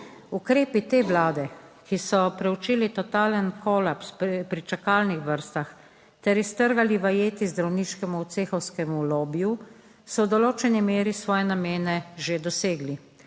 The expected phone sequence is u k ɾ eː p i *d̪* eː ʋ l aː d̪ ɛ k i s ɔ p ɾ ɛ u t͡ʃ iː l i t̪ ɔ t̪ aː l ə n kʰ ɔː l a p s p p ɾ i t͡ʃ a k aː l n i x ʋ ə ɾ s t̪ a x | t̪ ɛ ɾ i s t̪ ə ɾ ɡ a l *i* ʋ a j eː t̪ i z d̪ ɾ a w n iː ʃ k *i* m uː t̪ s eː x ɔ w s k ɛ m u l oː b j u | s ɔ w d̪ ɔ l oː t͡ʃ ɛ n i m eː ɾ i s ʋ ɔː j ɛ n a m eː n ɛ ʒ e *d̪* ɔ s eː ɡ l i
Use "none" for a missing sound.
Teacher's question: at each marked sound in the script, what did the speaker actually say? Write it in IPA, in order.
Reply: t̪, i, ɛ, d̪

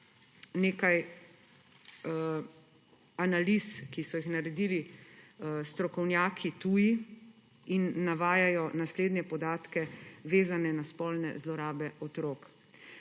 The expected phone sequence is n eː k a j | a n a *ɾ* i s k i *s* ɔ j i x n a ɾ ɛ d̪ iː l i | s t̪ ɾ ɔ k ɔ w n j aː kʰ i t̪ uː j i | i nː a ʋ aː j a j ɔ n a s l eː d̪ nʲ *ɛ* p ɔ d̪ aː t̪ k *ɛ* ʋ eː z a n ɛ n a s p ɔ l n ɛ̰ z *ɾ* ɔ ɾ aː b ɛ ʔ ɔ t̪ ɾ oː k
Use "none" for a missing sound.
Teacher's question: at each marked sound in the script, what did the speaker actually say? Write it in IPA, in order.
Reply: l, s, ɛ, ɛ, l

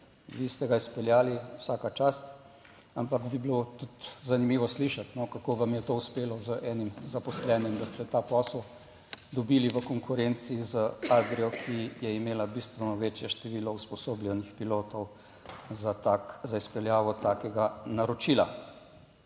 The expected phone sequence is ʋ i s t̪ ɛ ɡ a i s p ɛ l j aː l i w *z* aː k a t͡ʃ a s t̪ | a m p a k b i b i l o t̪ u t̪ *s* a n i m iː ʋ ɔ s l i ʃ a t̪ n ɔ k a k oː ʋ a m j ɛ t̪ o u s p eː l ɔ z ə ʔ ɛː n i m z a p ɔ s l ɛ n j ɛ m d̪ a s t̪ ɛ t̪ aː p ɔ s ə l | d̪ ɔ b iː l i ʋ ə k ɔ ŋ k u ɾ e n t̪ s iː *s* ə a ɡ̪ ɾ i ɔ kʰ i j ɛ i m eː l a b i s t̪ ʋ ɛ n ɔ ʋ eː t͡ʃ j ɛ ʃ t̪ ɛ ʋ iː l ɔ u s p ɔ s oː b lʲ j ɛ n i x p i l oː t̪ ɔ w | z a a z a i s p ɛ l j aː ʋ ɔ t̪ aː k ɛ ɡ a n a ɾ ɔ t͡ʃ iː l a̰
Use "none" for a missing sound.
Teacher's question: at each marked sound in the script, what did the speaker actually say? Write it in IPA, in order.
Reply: s, z, z

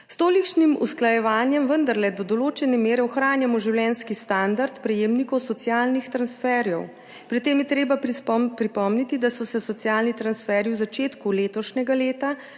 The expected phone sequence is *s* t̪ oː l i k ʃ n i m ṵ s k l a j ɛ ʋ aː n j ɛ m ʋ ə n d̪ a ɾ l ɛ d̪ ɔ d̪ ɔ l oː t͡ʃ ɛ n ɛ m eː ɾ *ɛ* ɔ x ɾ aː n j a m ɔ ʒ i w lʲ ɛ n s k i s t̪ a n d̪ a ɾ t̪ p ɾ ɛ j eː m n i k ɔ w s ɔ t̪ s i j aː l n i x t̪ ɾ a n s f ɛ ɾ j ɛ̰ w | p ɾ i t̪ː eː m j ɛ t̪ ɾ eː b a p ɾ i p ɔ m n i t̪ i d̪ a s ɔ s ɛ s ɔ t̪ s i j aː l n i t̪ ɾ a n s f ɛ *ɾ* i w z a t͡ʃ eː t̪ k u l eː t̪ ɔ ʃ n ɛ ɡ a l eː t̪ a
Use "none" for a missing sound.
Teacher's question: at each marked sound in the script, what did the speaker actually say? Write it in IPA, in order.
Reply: s, ɛ, ɾ

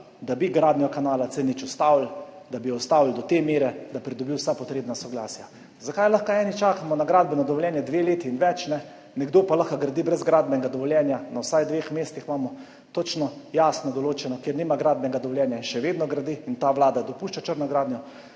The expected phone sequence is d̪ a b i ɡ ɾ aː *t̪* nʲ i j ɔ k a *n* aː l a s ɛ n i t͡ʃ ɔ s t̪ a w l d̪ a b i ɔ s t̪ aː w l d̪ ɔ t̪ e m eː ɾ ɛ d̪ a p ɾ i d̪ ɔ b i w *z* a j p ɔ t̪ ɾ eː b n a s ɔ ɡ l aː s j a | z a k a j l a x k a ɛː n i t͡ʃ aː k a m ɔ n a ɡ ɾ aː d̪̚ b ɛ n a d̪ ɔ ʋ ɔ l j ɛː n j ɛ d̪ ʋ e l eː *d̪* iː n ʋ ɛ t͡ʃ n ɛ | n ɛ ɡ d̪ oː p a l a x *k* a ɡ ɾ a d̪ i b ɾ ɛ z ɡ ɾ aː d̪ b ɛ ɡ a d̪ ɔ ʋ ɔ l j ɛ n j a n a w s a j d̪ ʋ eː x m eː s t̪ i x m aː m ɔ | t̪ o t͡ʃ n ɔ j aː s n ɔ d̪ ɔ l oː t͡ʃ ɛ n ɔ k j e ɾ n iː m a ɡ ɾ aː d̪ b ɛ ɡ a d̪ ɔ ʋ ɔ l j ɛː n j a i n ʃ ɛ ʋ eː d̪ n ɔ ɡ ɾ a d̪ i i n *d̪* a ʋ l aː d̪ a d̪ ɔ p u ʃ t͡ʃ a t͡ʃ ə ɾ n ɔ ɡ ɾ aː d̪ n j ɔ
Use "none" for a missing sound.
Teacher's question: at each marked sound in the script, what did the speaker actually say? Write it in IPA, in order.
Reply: d̪, n, s, t̪, k, t̪

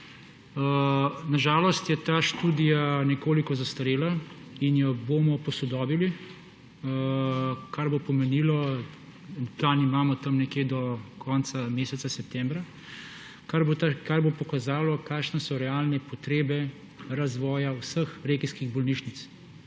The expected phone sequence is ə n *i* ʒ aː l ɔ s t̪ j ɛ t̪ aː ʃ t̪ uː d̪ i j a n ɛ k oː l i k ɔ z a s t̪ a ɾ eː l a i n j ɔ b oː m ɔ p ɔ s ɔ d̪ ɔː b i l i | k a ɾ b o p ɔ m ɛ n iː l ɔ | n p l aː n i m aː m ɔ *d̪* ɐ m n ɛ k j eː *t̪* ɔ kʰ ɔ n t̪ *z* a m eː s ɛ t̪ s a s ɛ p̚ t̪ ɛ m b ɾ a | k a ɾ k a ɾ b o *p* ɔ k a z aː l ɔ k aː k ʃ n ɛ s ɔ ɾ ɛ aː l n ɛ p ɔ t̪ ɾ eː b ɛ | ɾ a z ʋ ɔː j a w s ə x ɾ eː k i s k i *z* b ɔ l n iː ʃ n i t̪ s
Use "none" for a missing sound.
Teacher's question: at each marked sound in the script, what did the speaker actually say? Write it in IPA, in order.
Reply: a, t̪, d̪, s, p, ɣ

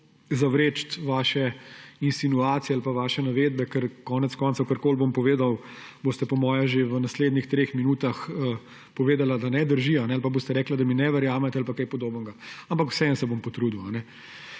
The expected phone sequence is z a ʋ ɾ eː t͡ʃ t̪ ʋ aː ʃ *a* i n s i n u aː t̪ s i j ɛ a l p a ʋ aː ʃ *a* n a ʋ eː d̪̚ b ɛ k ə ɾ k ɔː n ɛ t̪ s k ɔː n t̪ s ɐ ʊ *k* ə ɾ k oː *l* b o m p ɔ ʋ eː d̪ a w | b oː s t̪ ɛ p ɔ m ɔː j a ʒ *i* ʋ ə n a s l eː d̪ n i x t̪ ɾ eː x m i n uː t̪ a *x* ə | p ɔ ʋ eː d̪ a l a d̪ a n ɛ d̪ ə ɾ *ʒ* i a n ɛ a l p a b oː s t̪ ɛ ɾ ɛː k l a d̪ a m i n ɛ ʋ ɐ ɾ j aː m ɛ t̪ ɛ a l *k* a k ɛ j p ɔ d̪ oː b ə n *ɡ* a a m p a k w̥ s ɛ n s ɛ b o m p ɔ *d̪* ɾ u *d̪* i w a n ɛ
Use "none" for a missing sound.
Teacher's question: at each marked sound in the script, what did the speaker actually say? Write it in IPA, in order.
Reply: ɛ, ɛ, k, l, e, x, ʒ, p, ɡ, t̪, d̪

